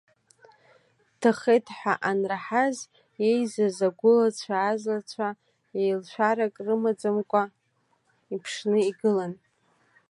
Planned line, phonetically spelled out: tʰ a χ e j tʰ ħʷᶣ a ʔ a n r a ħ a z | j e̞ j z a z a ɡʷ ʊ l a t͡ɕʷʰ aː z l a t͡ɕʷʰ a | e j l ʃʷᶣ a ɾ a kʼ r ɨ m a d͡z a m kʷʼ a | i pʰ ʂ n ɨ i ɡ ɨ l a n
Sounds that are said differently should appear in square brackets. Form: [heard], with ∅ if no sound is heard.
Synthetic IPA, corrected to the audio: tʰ a χ e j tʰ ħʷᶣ a ʔ a n r a ħ a z | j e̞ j z a z a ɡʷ ʊ l a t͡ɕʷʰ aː z l a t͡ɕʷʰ a | e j l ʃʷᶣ a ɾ a kʼ r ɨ m a d͡z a m kʷʼ a | i pʰ ʂ n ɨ i ɡ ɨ l a n

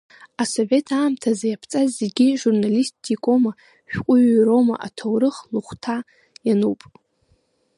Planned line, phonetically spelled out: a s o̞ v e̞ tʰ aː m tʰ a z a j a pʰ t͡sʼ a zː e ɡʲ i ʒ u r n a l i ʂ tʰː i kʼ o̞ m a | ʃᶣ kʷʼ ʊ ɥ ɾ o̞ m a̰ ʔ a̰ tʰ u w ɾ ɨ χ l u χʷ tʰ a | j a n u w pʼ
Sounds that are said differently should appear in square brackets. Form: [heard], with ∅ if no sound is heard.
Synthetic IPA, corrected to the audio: a s o̞ v e̞ tʰ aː m tʰ a z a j a pʰ t͡sʼ a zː e ɡʲ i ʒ u r n a l i [s] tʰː i kʼ o̞ m a | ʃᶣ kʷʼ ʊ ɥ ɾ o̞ m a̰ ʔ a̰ tʰ [o] w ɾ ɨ χ l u χʷ tʰ a | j a n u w pʼ

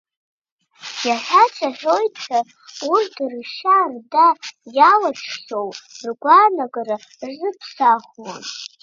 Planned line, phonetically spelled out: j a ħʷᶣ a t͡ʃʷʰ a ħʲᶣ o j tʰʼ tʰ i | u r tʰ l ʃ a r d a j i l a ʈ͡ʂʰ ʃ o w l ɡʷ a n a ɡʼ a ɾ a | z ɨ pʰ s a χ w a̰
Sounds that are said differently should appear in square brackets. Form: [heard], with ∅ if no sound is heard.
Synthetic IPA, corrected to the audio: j a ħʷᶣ a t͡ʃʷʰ a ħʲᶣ o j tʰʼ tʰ [a] | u r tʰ [r] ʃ a r d a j [a] l a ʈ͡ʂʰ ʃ o w [r] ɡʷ a n a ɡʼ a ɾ a | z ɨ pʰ s a χ w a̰

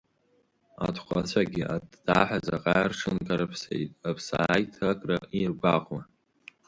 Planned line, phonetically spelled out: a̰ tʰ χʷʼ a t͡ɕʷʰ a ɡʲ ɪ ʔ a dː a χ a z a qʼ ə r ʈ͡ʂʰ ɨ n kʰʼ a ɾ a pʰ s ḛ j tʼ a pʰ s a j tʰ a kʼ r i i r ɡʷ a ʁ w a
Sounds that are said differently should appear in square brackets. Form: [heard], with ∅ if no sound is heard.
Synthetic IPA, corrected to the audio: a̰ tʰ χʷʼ a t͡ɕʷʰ a ɡʲ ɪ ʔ a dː a [ħ] a z a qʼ [a] r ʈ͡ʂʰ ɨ n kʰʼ a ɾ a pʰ s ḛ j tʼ a pʰ s a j tʰ a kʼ r [a] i r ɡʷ a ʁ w a

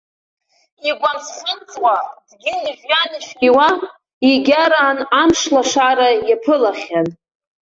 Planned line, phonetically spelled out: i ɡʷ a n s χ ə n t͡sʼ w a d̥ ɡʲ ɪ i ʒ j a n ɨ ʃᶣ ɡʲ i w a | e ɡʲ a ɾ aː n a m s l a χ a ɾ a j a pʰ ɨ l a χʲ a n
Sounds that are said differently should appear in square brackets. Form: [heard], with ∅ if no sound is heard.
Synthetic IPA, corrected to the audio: i ɡʷ a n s χ ə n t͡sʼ w a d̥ ɡʲ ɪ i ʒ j a n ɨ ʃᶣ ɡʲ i w a | [i] ɡʲ a ɾ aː n a m [ʂ] l a [ʂ] a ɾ a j a pʰ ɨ l a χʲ a n

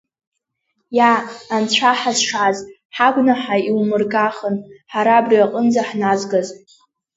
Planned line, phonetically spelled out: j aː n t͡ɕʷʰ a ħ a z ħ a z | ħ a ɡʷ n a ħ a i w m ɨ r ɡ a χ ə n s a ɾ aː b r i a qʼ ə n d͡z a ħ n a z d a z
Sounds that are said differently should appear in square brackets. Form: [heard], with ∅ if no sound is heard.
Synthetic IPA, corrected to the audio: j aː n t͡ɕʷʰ a ħ a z [ʂ] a z | ħ a ɡʷ n a ħ a i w m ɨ r ɡ a χ ə n [ħ] a ɾ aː b r i a qʼ ə n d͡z a ħ n a z [ɡ] a z

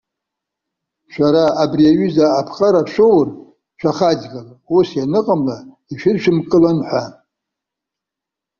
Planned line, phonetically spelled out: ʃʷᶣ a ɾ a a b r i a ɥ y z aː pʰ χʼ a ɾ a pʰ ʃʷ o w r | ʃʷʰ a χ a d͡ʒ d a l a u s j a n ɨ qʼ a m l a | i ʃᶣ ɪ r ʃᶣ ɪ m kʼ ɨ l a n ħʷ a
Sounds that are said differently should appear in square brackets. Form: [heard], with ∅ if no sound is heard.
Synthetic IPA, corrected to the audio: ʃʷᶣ a ɾ a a b r i a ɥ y z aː pʰ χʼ a ɾ a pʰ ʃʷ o w r | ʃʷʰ a χ a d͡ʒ [ɡ] a l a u s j a n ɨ qʼ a m l a | i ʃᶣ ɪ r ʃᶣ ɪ m kʼ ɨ l a n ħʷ a

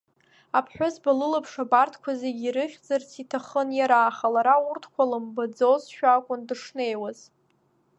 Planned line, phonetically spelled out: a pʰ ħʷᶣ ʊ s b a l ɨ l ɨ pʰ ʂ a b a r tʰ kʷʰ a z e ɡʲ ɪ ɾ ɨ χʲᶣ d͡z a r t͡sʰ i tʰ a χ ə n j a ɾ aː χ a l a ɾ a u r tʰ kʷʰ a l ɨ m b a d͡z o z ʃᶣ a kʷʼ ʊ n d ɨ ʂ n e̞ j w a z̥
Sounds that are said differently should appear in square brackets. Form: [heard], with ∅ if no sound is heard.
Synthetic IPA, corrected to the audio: a pʰ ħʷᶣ ʊ [z] b a l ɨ l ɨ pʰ ʂ a b a r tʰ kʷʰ a z e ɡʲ [i] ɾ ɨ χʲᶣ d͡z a r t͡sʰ i tʰ a χ ə n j a ɾ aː χ a l a ɾ a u r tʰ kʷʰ a l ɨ m b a d͡z o z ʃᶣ a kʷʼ ʊ n d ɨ ʂ n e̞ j w a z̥

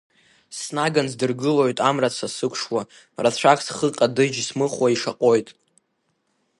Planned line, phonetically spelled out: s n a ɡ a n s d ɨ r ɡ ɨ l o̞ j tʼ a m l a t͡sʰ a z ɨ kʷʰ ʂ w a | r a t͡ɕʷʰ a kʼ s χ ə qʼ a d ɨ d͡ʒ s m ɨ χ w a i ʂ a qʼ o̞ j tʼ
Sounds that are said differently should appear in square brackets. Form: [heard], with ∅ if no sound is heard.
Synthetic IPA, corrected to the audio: s n a ɡ a n [z] d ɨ r ɡ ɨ l o̞ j tʼ a m [r] a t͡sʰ a [s] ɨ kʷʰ ʂ w a | r a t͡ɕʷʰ a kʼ s χ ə qʼ a d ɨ d͡ʒ s m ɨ χ w a i ʂ a qʼ o̞ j tʼ

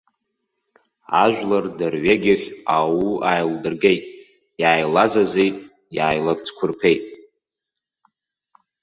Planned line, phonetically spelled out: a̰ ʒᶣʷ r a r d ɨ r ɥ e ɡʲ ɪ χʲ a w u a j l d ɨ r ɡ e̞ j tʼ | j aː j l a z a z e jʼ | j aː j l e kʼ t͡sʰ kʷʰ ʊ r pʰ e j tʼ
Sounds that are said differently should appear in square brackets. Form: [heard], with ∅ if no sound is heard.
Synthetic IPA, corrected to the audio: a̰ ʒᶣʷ [l] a r d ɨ r ɥ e ɡʲ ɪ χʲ a w u a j l d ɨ r ɡ e̞ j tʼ | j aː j l a z a z e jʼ | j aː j l [a] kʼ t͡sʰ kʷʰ ʊ r pʰ e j tʼ

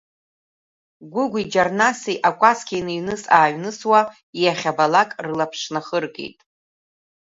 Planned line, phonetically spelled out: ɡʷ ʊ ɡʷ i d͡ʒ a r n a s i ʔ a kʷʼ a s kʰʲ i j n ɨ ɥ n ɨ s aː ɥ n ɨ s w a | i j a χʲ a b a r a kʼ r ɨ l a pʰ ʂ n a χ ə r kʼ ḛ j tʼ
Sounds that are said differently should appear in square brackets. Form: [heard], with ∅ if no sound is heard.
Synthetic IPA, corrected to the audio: ɡʷ ʊ ɡʷ i d͡ʒ a r n a s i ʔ a kʷʼ a s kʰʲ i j n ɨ ɥ n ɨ s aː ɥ n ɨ s w a | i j a χʲ a b a [l] a kʼ r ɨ l a pʰ ʂ n a χ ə r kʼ ḛ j tʼ

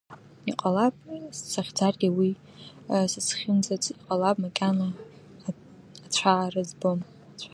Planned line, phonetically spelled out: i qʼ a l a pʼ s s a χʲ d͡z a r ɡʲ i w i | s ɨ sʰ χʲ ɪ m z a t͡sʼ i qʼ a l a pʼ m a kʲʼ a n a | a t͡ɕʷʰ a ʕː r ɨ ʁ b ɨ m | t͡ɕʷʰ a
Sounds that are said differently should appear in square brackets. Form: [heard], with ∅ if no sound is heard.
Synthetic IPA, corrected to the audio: i qʼ a l a pʼ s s a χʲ d͡z a r ɡʲ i w i | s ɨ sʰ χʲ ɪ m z a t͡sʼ i qʼ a l a pʼ m a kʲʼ a n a | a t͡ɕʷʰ a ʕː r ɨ [z] b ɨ m | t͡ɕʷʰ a

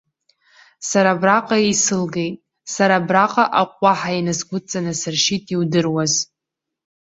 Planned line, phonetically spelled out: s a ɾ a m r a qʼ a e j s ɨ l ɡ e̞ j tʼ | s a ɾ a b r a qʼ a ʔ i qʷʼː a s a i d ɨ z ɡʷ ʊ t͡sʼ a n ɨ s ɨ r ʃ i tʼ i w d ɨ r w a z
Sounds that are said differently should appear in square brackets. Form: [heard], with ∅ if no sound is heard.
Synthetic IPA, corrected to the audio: s a ɾ a [b] r a qʼ a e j s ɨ l ɡ e̞ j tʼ | s a ɾ a b r a qʼ a ʔ [a] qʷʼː a [ħ] a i [n] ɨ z ɡʷ ʊ t͡sʼ a n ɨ s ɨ r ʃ i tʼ i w d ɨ r w a z

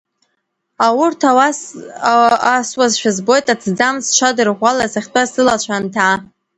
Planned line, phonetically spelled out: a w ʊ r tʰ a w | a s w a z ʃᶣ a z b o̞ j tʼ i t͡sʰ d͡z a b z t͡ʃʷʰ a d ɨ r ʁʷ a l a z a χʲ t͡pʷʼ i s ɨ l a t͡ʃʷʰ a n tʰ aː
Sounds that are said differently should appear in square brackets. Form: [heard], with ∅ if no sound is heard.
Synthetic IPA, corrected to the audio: a w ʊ r tʰ a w | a s w a z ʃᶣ a z b o̞ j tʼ [a] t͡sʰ d͡z a [m] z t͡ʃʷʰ a d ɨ r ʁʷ a l a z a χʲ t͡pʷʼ [a] s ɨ l a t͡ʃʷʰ a n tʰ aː

